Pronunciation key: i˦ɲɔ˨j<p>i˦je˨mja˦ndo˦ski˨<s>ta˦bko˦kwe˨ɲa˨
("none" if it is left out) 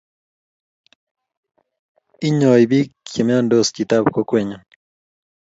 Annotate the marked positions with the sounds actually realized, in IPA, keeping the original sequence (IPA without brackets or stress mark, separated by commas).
b, none